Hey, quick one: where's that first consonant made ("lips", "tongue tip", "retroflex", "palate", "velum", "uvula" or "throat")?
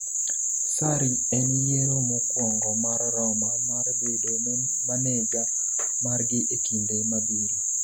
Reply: tongue tip